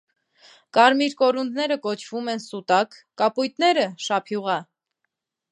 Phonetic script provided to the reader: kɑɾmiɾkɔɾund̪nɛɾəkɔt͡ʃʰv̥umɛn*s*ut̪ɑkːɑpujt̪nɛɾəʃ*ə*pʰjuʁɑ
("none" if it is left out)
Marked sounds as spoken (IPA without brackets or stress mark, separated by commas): s, ɑ